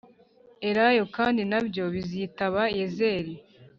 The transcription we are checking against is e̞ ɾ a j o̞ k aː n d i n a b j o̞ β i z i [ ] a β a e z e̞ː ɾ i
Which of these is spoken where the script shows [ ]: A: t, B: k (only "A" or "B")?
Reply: A